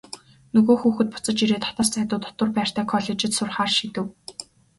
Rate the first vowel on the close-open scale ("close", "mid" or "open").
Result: mid